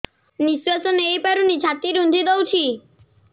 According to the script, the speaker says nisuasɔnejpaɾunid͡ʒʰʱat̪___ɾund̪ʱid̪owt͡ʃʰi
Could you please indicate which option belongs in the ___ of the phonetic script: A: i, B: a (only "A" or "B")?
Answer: A